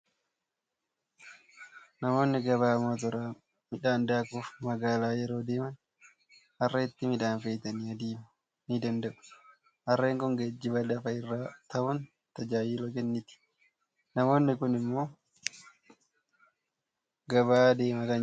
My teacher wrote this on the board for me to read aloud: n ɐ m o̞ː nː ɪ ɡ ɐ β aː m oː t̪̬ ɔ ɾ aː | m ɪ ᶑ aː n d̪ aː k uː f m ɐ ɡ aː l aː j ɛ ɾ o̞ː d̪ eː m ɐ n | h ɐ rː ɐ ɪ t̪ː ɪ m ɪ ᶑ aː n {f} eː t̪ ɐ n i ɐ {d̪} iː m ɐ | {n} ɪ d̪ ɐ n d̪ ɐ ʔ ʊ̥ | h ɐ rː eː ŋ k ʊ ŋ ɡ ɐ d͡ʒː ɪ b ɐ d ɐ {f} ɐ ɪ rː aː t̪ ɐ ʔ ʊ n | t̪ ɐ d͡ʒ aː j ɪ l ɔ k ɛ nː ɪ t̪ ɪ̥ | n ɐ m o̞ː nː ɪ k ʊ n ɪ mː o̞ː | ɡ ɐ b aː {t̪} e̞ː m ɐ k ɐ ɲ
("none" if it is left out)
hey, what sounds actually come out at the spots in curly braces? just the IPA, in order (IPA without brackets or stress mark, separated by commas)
f, d̪, n, f, d̪